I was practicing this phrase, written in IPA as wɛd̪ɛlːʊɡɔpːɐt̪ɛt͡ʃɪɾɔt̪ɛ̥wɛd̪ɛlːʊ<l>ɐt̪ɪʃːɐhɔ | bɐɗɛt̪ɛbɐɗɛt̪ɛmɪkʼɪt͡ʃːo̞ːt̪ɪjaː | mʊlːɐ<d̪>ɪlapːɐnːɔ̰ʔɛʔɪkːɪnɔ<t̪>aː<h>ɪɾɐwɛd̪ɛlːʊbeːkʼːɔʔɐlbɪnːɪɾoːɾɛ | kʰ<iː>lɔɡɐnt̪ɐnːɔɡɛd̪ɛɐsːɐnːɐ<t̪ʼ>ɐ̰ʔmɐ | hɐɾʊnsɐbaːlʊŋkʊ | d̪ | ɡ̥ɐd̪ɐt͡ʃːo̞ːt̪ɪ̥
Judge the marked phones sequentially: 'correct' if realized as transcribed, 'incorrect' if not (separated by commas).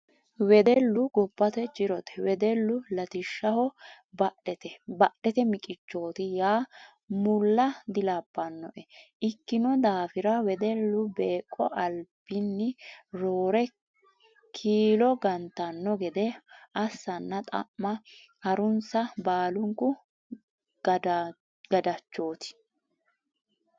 correct, correct, incorrect, incorrect, correct, correct